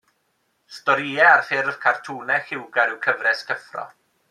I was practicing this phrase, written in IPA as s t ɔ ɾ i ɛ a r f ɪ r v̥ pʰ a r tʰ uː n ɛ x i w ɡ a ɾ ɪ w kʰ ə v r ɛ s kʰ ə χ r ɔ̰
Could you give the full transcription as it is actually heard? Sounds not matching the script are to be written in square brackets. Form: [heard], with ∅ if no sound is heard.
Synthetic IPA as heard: s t ɔ ɾ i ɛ a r f ɪ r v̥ [kʰ] a r tʰ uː n ɛ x [ɪ] w ɡ a ɾ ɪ w kʰ ə v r ɛ s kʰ ə [f] r ɔ̰